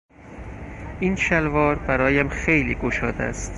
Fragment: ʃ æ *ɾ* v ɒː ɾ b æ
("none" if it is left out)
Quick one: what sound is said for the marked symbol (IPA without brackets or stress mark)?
l